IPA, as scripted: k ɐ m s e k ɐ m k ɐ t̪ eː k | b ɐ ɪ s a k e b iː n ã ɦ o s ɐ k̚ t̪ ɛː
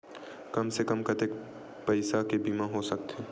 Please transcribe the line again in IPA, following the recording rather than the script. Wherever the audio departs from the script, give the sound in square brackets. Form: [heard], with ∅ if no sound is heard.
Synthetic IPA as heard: k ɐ m s e k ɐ m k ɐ t̪ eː k | [p] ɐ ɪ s a k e b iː [m] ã ɦ o s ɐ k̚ t̪ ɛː